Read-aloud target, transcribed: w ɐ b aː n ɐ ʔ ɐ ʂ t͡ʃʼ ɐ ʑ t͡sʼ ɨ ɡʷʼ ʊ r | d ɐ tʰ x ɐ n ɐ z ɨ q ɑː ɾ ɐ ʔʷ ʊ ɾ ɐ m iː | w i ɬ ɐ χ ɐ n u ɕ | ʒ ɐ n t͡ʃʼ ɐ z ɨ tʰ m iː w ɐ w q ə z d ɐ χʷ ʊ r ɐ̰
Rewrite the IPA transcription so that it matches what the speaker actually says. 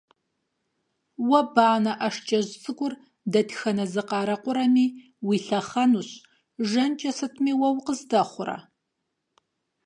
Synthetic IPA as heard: w ɐ b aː n ɐ ʔ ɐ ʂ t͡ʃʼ ɐ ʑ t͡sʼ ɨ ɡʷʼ ʊ r | d ɐ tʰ x ɐ n ɐ z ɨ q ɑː ɾ ɐ qʷ ʊ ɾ ɐ m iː | w i ɬ ɐ χ ɐ n u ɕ | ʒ ɐ n t͡ʃʼ ɐ s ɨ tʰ m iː w ɐ w q ə z d ɐ χʷ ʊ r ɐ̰